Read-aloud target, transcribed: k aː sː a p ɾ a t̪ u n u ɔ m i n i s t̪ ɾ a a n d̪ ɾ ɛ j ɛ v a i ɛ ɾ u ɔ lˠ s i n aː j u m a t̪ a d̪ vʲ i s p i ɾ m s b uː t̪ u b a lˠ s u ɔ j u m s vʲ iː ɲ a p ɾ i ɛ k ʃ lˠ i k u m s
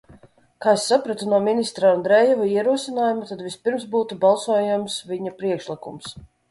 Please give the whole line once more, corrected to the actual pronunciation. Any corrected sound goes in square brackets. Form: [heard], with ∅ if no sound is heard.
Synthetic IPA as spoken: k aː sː a p ɾ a t̪ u n u ɔ m i n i s t̪ ɾ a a n d̪ ɾ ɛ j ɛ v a i ɛ ɾ u ɔ [∅] s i n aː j u m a t̪ a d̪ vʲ i s p i ɾ m s b uː t̪ u b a lˠ s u ɔ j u m s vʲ [i] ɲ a p ɾ i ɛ k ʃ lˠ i k u m s